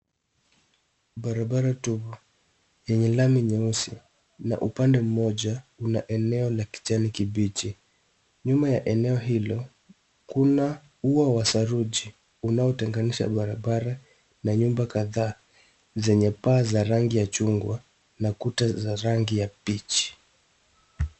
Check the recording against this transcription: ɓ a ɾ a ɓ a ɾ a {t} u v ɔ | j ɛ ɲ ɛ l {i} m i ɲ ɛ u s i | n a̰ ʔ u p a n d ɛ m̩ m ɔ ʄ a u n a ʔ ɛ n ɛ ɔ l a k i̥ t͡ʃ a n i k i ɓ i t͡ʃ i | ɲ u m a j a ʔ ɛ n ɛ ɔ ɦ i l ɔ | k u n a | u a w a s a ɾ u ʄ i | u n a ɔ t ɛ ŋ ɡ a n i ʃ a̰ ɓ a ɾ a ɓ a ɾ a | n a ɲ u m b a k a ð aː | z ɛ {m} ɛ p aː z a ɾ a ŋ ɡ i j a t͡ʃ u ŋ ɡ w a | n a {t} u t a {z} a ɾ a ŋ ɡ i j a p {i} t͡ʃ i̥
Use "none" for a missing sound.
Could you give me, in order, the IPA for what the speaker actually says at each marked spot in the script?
t, a, ɲ, k, z, i

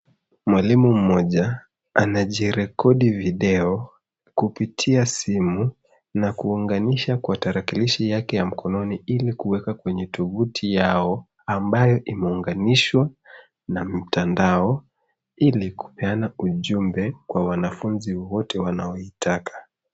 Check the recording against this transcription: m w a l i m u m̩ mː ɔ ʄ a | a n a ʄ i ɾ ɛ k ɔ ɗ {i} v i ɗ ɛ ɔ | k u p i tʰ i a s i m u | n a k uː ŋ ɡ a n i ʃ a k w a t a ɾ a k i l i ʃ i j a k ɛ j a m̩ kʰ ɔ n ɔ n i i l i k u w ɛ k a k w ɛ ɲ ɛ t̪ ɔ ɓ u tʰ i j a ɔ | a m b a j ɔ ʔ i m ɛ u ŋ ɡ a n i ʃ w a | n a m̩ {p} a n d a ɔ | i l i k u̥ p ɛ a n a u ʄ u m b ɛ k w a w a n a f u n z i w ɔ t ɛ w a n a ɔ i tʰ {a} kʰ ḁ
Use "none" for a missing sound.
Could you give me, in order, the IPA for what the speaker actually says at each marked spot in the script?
i, t, a

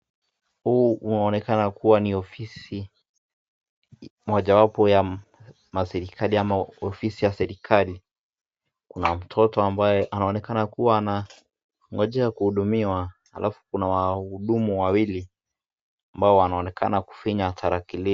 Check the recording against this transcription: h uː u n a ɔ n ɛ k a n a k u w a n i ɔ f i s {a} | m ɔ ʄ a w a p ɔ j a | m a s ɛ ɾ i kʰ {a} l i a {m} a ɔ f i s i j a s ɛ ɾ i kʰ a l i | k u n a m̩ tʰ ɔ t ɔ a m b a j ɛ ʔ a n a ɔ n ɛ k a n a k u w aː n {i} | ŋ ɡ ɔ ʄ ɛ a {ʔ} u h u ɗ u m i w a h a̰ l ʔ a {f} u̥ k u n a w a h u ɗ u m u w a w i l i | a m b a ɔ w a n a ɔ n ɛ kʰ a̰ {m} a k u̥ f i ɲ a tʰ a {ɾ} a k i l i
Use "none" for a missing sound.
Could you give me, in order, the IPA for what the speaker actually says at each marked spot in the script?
i, a, m, a, k, f, n, ɾ

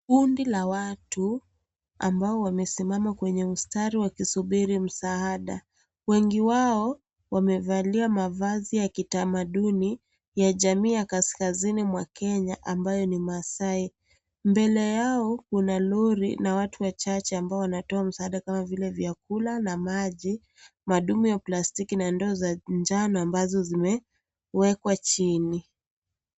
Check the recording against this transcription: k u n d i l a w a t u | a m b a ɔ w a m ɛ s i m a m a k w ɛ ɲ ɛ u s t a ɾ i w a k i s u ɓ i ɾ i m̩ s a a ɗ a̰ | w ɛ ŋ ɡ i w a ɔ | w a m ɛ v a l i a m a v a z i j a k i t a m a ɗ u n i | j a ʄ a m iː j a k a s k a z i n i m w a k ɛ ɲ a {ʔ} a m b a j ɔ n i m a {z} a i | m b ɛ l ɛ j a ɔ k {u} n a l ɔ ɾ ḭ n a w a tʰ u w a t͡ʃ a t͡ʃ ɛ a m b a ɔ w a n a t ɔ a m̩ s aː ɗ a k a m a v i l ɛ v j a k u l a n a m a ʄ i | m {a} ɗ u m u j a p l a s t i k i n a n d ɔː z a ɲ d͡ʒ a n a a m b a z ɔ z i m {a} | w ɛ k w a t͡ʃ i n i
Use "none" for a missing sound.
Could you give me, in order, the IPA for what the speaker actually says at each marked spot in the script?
ʔ, s, u, a, ɛ

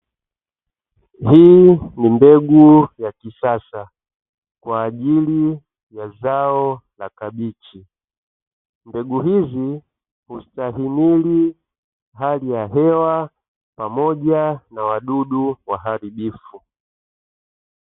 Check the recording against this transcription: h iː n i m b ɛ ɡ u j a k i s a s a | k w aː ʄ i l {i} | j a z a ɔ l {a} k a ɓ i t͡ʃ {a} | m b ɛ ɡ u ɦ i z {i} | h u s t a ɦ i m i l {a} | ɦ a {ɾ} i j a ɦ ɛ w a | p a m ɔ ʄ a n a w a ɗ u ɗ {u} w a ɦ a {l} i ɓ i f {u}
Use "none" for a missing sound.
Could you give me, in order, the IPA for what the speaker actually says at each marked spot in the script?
i, a, i, i, i, l, u, ɾ, u

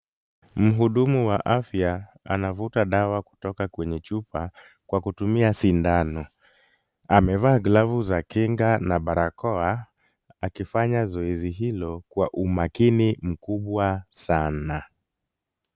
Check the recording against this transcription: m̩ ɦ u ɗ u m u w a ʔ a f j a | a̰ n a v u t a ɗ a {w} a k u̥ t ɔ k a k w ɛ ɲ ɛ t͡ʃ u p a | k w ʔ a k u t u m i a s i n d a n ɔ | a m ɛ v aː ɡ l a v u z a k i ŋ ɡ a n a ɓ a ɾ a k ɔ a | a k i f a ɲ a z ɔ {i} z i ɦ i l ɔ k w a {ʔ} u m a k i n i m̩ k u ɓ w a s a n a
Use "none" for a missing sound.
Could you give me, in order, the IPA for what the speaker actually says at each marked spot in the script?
w, ɛ, ʔ

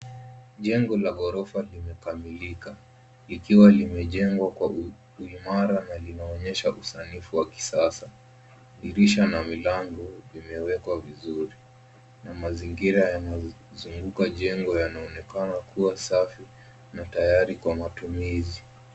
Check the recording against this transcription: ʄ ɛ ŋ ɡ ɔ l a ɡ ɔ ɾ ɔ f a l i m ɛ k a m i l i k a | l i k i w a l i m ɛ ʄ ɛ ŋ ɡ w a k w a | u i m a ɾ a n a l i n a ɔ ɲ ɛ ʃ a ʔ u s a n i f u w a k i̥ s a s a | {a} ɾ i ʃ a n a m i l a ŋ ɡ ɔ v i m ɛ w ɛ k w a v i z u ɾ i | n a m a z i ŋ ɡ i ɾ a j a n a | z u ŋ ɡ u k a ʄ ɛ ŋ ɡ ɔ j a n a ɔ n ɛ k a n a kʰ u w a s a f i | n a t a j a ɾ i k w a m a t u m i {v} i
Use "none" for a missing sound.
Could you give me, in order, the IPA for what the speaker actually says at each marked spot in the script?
i, z

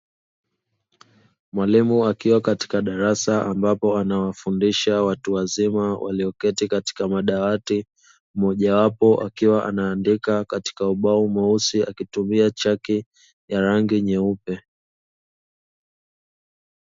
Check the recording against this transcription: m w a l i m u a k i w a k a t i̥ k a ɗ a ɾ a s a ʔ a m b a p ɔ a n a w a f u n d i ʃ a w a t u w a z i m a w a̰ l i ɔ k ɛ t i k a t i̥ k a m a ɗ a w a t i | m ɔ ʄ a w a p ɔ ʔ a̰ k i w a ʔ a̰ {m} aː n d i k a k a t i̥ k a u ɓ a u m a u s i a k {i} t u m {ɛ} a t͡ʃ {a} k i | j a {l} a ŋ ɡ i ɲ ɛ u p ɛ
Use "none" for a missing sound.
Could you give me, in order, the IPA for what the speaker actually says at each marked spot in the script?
n, i, i, a, ɾ

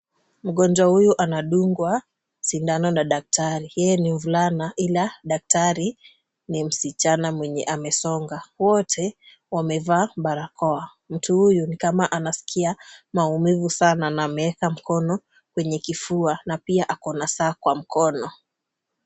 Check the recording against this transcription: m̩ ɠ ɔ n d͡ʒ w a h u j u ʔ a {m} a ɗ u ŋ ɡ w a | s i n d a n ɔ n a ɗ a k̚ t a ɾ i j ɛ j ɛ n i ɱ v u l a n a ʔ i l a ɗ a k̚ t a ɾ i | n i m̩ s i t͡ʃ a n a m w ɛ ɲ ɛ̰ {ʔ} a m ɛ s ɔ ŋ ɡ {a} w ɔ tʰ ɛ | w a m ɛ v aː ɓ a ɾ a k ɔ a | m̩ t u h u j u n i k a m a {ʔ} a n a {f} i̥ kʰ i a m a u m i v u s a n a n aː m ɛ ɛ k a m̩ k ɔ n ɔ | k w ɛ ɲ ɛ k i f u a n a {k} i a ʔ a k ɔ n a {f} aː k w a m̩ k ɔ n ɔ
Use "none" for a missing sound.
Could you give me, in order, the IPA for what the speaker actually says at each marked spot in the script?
n, ʔ, a, ʔ, s, p, s

